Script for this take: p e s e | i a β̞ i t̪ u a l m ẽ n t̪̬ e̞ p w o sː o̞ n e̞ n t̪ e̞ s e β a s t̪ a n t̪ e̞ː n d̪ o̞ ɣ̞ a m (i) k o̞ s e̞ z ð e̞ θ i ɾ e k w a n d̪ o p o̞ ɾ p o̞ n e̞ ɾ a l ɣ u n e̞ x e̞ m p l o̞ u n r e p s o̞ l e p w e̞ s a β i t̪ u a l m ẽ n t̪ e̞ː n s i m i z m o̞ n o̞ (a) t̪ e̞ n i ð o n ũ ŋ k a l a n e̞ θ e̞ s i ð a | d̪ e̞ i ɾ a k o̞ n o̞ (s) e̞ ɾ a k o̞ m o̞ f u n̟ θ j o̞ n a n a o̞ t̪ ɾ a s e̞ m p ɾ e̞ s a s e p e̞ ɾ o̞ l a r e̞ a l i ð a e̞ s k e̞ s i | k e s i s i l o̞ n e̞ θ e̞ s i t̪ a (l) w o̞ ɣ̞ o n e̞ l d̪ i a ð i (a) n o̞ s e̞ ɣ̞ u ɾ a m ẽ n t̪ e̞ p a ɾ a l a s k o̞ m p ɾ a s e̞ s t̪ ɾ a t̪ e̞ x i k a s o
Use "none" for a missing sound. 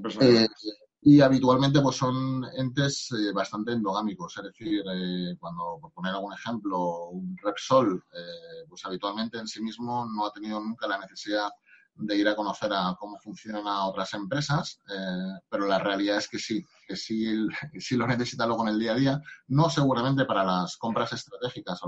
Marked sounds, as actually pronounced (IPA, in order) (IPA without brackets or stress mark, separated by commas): i, a, θ, l, a